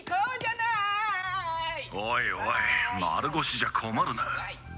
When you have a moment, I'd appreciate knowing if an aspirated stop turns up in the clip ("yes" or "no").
yes